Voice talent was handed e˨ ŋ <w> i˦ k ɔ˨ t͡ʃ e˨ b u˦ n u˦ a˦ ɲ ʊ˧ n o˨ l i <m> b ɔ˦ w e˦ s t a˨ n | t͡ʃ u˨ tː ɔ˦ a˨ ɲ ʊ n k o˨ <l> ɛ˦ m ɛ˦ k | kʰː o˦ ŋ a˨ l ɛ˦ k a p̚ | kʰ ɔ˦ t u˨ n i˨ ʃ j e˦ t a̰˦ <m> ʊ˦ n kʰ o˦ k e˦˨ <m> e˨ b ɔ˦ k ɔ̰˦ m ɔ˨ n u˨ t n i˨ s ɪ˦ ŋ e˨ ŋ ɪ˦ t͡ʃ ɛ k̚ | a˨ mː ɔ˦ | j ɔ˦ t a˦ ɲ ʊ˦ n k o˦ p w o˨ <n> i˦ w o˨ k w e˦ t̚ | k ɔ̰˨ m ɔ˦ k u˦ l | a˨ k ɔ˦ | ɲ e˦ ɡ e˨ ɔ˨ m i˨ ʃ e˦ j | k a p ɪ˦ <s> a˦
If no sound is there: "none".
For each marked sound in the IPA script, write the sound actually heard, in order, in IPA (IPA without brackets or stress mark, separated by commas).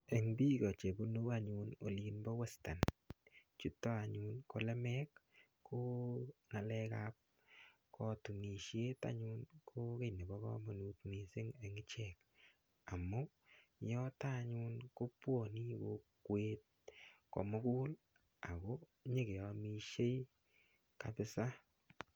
b, n, l, ɲ, n, n, s